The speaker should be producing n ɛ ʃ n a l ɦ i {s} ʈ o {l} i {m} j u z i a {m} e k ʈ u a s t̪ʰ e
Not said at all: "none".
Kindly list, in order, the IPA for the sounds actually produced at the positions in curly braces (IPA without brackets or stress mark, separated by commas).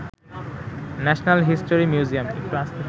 s, ɾ, m, m